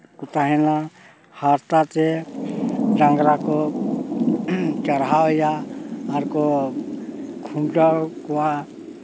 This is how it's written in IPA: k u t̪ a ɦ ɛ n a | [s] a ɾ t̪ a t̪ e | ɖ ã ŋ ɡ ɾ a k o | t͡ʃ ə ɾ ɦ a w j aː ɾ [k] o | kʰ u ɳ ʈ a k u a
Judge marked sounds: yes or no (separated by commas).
no, yes